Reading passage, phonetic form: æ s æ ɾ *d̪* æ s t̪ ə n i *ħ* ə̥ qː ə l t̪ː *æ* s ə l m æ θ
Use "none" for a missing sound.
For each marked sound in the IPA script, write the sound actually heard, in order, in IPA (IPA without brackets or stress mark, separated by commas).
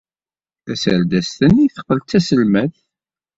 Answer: d̪, θ, æ